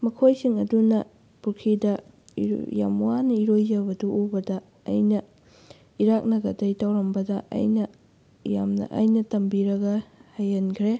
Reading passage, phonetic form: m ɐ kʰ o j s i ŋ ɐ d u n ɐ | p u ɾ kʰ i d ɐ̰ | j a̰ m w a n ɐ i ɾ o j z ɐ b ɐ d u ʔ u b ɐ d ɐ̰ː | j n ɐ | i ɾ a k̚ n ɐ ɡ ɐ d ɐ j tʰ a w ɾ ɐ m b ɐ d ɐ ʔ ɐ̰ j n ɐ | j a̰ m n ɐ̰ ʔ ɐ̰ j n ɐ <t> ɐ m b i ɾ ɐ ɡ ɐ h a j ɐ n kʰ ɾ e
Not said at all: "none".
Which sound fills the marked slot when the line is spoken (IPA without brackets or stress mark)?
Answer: t